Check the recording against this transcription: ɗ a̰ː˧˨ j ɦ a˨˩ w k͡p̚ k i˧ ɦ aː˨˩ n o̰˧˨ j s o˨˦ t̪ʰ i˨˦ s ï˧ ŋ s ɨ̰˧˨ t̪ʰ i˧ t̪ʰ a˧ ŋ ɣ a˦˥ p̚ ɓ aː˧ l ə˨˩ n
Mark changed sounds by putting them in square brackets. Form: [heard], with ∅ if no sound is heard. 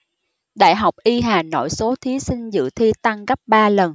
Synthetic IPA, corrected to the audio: ɗ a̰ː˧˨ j ɦ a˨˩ w k͡p̚ [ʔ] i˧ ɦ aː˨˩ n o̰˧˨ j s o˨˦ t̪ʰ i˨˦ s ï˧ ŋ [z] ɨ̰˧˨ t̪ʰ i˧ [t̪] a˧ ŋ ɣ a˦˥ p̚ ɓ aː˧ l ə˨˩ n